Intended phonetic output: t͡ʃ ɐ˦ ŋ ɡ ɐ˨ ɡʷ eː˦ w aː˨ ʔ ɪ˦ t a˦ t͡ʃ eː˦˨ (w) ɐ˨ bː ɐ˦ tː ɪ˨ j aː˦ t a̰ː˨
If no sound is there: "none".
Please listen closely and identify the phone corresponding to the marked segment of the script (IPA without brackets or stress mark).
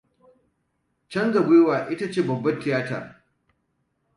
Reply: b